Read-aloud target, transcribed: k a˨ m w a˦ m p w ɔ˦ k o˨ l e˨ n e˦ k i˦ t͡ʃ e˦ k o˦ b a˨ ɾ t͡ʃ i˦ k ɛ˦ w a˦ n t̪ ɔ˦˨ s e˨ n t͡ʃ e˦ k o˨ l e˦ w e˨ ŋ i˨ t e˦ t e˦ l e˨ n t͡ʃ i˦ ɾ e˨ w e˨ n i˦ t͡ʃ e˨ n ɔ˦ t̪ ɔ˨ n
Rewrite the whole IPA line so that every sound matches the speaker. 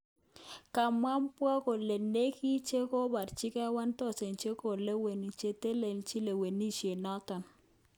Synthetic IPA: k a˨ m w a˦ m p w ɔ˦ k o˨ l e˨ n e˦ k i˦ t͡ʃ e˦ k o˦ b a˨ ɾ t͡ʃ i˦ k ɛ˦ w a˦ n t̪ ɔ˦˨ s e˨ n t͡ʃ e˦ k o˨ l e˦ w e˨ n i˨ t͡ʃ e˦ t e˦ l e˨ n t͡ʃ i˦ l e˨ w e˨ n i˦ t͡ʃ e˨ n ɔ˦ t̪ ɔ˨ n